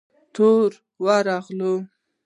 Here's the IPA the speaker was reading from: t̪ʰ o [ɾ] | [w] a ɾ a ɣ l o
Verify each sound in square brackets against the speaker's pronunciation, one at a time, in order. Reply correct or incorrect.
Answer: correct, correct

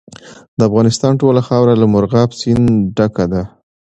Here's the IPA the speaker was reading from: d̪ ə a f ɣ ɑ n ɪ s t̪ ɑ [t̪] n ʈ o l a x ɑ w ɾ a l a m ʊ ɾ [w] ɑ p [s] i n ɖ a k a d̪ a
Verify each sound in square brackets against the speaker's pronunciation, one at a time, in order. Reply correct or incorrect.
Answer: incorrect: none, incorrect: ɣ, correct

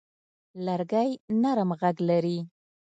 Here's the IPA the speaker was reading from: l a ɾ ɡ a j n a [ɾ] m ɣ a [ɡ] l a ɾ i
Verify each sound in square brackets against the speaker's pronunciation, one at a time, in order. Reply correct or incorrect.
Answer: correct, correct

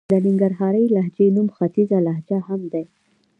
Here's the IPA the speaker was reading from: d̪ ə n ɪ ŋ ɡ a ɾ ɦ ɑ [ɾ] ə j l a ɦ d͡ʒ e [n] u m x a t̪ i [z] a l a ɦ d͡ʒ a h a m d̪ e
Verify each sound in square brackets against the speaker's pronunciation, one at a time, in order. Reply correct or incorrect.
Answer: correct, correct, correct

